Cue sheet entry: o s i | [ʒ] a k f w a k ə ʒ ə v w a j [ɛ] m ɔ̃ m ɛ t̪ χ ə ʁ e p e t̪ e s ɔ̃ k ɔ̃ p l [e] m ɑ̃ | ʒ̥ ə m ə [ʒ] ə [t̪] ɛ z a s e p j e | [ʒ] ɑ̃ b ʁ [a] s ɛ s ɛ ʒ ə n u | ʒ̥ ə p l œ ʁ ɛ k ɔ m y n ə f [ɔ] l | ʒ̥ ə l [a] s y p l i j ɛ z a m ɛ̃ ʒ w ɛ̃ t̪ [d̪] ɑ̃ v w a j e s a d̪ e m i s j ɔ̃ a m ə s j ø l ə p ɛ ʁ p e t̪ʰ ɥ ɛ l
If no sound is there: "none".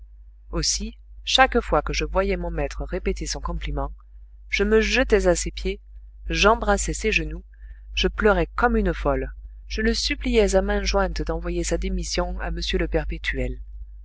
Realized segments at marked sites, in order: ʃ, ɛ, i, ʒ, t̪, ʒ, a, ɔ, ə, d̪

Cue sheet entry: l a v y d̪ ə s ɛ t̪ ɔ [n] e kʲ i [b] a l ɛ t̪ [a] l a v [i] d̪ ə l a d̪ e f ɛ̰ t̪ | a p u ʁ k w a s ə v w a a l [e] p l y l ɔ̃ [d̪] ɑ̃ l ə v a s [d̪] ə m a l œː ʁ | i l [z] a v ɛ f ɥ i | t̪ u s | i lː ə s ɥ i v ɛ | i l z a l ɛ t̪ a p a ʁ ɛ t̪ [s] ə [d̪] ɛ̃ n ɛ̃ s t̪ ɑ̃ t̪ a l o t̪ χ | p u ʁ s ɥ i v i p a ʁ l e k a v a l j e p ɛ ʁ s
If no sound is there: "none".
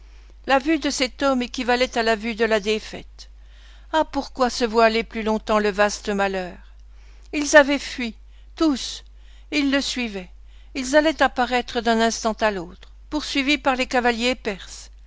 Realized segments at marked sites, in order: m, v, a, y, e, t̪, t̪, z, χ, d̪

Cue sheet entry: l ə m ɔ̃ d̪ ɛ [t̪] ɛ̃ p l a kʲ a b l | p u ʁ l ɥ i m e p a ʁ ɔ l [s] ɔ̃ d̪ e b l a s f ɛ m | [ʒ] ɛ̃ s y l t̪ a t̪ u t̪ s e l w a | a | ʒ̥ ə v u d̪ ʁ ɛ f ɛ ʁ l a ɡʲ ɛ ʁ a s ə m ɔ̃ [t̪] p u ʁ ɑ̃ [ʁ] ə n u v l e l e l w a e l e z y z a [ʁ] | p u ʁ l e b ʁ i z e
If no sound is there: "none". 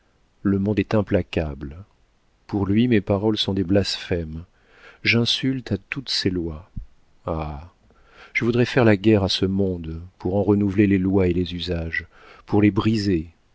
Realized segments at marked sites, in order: t̪, s, ʒ, d̪, ʁ, ʒ

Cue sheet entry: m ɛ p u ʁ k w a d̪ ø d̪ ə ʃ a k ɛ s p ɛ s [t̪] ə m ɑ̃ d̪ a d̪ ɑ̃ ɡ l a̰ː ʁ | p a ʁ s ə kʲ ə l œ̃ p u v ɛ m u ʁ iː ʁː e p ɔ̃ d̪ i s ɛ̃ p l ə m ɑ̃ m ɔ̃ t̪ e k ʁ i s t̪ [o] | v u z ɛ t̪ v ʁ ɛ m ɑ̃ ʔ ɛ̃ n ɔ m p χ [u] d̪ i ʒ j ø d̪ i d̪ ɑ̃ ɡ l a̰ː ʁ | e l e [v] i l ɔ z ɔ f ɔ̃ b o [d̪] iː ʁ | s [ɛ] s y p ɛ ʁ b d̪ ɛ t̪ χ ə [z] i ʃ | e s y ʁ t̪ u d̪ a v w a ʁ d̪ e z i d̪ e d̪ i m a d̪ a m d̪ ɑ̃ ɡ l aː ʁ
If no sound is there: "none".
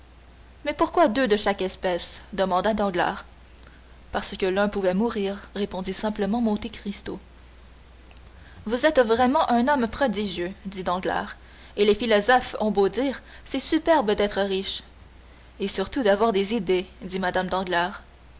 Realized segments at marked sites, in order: d̪, o, ɔ, f, d̪, ɛ, ʁ

